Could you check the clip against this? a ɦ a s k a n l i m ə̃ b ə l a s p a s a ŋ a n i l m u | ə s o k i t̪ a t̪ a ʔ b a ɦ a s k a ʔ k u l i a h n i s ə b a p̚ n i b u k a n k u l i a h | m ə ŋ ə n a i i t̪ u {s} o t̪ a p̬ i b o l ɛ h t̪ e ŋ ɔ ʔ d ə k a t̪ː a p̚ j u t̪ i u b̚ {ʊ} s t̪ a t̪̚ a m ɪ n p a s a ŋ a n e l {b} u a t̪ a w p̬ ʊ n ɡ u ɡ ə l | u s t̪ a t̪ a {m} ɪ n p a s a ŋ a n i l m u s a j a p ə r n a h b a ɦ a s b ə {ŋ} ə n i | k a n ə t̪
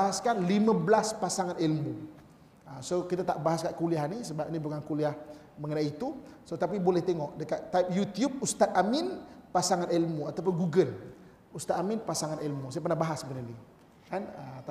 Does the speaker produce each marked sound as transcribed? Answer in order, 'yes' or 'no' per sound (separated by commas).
yes, no, no, yes, no